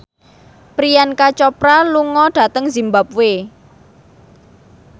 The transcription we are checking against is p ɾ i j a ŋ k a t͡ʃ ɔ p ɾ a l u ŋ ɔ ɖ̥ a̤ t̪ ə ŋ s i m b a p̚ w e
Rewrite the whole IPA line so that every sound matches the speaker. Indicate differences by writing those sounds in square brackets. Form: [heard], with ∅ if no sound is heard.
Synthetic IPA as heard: p ɾ i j a [n] k a t͡ʃ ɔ p ɾ a l u ŋ ɔ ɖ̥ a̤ t̪ ə ŋ [z] i m b a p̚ w e